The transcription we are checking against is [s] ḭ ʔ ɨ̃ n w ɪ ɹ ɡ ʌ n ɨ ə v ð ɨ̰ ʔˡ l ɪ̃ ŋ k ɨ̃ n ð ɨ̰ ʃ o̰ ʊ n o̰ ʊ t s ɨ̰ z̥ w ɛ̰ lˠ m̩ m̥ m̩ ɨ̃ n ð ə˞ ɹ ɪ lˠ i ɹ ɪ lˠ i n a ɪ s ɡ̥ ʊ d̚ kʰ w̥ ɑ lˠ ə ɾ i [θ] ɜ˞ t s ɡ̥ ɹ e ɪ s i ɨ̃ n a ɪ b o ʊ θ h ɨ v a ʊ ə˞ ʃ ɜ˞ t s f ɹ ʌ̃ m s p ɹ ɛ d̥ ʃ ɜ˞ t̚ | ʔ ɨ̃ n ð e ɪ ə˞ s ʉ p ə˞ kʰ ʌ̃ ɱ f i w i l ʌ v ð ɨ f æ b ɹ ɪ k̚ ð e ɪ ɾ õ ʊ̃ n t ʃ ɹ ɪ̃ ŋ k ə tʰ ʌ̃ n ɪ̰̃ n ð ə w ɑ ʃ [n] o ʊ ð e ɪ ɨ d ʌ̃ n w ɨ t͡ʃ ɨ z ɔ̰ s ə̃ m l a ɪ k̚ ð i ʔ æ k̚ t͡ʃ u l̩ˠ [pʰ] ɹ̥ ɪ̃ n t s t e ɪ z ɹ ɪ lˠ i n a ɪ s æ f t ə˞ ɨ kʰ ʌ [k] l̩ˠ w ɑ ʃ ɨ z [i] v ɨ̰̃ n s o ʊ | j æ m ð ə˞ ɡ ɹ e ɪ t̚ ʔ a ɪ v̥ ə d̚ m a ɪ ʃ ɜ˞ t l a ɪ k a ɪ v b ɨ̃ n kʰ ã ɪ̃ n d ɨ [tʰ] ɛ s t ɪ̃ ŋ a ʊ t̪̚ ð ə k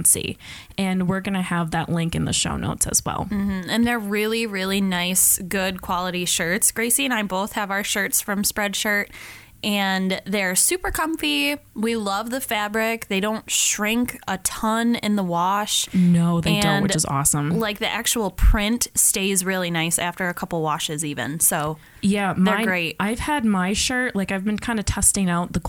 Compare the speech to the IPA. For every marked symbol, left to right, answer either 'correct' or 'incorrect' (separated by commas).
correct, incorrect, correct, correct, incorrect, correct, correct